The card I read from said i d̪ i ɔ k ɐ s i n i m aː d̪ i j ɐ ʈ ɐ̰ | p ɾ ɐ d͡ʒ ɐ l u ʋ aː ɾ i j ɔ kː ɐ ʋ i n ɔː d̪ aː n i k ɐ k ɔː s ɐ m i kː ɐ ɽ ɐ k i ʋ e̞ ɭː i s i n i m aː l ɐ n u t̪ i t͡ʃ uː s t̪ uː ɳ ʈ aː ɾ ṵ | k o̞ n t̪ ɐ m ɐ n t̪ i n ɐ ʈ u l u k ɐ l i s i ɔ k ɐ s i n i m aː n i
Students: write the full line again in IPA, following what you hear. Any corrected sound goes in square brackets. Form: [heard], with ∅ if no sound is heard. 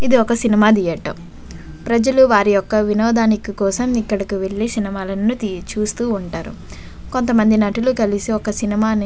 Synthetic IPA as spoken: i d̪ i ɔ k ɐ s i n i m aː d̪ i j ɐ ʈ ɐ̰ | p ɾ ɐ d͡ʒ ɐ l u ʋ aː ɾ i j ɔ kː ɐ ʋ i n ɔː d̪ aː n i k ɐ k ɔː s ɐ m i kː ɐ ɽ ɐ k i ʋ e̞ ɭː i s i n i m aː l ɐ n u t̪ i t͡ʃ uː s t̪ uː ɳ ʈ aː ɾ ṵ | k o̞ n t̪ ɐ m ɐ n [d̪] i n ɐ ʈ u l u k ɐ l i s i ɔ k ɐ s i n i m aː n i